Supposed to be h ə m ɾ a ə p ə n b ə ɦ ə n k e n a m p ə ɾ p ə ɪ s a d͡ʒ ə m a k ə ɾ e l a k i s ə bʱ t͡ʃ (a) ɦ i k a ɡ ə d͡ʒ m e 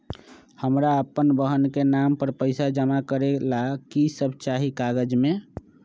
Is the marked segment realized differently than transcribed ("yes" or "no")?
no